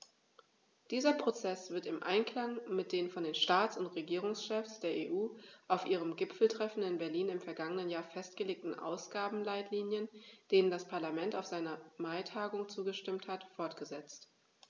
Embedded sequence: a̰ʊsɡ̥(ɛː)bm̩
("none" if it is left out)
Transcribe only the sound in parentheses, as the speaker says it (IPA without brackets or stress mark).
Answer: aː